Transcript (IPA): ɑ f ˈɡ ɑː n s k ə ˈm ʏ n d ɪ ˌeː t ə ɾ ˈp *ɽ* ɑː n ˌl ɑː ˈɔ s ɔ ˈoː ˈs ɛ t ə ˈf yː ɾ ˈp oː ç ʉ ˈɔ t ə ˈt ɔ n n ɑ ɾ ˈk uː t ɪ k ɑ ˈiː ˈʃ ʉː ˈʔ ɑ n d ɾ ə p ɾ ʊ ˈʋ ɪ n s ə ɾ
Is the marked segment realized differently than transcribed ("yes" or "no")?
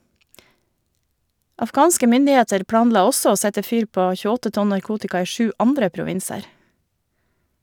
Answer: no